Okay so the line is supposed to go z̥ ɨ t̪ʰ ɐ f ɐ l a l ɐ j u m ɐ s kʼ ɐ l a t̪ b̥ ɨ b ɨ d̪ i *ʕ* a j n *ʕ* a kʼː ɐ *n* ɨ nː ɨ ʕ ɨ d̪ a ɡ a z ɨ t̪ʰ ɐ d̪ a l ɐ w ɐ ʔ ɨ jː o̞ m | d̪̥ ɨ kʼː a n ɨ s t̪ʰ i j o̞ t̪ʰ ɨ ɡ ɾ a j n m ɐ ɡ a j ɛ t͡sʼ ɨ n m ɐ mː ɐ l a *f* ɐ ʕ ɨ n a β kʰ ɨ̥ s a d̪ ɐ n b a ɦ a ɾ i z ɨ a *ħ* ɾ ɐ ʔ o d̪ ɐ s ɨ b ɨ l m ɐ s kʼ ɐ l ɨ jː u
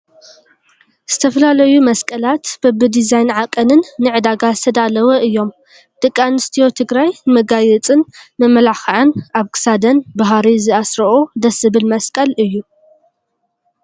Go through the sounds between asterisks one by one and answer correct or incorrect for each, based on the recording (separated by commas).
incorrect, correct, correct, incorrect, incorrect